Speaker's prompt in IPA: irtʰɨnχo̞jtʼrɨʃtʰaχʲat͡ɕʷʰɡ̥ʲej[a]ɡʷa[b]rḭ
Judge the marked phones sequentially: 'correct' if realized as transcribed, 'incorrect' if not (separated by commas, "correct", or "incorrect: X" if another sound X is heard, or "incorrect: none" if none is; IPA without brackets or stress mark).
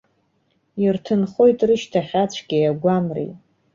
correct, incorrect: m